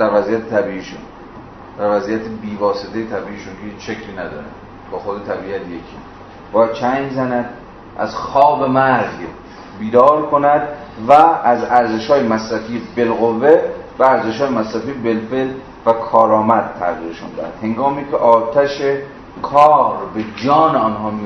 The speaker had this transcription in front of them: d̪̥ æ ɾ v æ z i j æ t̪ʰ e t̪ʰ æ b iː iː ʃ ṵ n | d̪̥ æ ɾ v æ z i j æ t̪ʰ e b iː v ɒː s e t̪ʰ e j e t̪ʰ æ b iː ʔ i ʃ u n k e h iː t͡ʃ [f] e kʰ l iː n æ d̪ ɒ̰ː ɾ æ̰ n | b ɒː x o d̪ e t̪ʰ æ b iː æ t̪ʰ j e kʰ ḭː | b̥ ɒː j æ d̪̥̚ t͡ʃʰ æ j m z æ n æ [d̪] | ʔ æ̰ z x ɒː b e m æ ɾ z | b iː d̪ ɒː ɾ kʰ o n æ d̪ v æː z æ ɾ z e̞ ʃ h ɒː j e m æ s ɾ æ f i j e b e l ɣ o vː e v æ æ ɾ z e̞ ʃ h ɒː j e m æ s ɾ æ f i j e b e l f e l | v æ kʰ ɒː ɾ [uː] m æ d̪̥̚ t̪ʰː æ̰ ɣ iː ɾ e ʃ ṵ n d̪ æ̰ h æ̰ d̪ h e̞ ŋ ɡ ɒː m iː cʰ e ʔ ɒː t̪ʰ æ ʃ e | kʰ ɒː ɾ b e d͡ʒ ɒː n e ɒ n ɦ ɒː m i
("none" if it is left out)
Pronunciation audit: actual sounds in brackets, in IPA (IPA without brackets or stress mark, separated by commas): ʃ, d̪, ɒː